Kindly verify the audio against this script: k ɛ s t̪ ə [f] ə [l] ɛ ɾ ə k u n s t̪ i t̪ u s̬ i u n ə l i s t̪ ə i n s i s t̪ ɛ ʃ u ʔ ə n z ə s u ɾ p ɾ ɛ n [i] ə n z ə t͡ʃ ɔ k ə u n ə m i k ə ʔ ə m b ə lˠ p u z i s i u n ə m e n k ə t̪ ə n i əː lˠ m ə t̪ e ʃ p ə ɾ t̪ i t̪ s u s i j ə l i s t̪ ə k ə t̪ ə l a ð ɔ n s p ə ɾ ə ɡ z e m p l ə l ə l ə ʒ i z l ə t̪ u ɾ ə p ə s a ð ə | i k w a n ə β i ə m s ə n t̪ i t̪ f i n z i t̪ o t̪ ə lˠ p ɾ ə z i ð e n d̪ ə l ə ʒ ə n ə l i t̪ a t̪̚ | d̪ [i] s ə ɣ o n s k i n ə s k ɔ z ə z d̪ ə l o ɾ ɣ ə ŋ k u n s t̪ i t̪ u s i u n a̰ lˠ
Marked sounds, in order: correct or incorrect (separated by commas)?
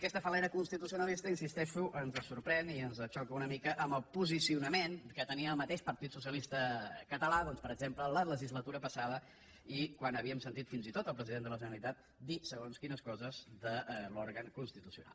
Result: correct, correct, correct, correct